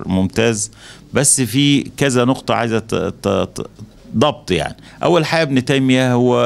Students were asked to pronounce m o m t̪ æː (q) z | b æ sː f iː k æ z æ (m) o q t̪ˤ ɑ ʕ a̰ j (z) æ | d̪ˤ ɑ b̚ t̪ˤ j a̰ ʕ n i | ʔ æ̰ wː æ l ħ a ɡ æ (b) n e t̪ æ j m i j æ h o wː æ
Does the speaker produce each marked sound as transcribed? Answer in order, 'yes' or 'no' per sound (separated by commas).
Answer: no, no, yes, yes